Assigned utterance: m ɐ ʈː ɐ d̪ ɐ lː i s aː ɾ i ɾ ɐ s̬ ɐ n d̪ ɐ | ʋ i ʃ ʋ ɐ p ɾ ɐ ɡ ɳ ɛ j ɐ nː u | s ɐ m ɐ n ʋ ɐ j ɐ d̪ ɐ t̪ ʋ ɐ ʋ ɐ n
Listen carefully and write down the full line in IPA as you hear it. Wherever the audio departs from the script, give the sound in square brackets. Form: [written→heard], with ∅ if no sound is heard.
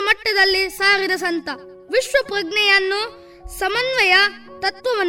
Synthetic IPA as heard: m ɐ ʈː ɐ d̪ ɐ lː i s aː ɾ i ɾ ɐ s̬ ɐ n [d̪→t̪] ɐ | ʋ i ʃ ʋ ɐ p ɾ ɐ ɡ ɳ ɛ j ɐ nː u | s ɐ m ɐ n ʋ ɐ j ɐ [d̪→t̪] ɐ t̪ ʋ ɐ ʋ ɐ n